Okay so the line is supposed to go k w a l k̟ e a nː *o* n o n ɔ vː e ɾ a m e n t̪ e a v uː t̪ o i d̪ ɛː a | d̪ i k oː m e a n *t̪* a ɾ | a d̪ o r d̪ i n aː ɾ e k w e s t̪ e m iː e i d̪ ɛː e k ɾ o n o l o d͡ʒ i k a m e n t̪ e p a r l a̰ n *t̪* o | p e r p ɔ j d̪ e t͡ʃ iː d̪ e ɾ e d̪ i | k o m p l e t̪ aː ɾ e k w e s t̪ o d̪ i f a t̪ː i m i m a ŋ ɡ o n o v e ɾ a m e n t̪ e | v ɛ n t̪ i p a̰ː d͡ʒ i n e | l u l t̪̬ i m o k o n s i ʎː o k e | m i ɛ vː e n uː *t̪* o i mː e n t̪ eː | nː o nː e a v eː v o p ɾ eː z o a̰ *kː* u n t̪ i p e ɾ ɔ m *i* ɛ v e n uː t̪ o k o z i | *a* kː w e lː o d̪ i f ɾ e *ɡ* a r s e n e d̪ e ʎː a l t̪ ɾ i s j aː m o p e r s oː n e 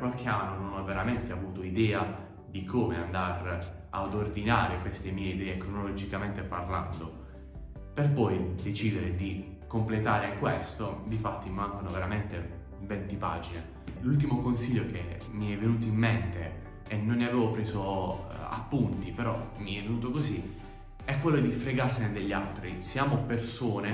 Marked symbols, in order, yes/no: yes, no, no, yes, no, yes, no, yes

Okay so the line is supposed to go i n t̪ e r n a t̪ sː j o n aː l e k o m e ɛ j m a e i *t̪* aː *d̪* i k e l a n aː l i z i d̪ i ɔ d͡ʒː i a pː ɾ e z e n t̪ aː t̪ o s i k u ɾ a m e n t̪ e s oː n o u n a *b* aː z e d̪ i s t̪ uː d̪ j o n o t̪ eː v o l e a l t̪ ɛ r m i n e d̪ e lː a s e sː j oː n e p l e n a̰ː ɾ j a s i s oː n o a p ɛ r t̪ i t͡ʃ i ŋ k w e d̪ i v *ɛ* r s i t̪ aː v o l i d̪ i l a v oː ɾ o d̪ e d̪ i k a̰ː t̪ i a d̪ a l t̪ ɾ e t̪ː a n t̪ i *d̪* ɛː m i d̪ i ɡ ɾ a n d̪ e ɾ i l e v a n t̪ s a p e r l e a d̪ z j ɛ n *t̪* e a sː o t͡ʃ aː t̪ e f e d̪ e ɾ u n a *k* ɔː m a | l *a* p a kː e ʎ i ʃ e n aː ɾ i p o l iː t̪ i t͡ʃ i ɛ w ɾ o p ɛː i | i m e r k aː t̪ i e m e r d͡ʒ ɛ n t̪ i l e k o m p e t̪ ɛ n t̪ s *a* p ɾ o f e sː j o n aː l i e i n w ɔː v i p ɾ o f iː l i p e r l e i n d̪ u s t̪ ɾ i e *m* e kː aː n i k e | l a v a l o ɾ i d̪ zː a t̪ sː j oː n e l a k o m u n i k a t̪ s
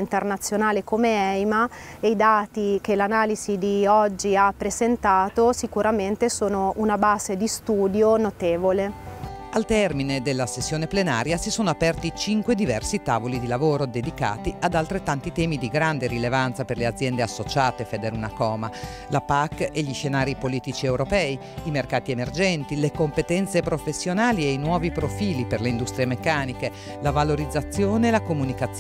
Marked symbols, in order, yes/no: no, no, yes, yes, no, no, yes, yes, no, yes

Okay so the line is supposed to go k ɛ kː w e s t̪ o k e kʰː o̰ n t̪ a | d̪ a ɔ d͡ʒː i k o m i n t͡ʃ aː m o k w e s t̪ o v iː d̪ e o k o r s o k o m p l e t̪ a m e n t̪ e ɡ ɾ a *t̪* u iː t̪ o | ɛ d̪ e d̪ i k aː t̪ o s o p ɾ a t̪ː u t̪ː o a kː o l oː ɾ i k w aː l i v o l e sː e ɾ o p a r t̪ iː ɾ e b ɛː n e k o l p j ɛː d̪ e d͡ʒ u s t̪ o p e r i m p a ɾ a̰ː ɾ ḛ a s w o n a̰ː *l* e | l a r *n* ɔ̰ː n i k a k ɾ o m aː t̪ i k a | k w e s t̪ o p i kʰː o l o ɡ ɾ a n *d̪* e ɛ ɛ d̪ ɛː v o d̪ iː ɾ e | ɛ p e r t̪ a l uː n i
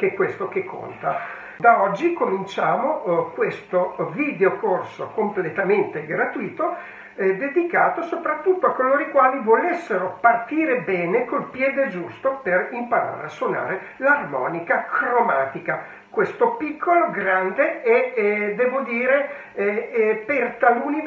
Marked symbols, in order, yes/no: yes, no, no, yes

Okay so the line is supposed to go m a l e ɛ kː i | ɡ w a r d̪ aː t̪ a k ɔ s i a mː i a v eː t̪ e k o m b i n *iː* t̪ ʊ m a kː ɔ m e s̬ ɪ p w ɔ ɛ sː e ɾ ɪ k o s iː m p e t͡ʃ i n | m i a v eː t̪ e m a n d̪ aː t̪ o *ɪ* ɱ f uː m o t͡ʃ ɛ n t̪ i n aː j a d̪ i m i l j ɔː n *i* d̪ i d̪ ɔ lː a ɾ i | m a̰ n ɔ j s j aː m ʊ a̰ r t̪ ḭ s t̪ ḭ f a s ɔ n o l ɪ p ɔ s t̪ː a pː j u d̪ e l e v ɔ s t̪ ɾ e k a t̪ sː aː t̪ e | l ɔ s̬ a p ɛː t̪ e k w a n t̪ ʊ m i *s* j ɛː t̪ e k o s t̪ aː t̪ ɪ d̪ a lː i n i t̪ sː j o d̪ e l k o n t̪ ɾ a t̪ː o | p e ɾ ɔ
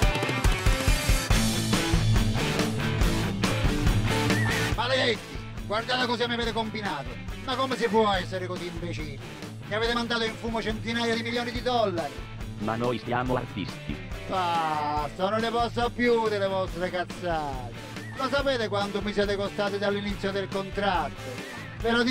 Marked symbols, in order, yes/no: no, no, yes, yes

